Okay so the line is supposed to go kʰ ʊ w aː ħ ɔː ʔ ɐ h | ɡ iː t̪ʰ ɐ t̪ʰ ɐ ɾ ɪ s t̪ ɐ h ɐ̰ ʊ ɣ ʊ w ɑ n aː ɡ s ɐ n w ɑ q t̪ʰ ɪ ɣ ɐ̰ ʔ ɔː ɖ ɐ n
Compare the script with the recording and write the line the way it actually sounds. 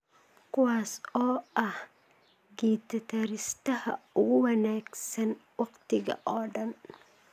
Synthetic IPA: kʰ ʊ w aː s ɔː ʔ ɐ h | ɡ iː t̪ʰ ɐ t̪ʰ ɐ ɾ ɪ s t̪ ɐ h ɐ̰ ʊ ɣ ʊ w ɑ n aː ɡ s ɐ n w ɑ q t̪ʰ ɪ ɣ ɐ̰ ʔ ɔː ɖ ɐ n